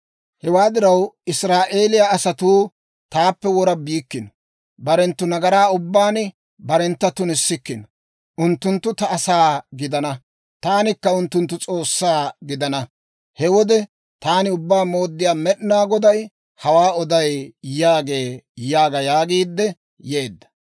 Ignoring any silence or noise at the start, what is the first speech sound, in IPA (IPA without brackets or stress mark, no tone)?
h